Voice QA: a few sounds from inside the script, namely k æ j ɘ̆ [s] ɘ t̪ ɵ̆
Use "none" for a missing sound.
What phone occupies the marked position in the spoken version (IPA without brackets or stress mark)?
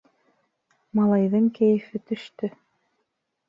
f